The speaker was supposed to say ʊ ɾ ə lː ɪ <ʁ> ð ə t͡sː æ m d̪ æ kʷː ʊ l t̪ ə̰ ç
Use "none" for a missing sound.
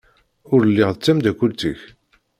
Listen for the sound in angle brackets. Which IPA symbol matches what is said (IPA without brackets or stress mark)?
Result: ʁ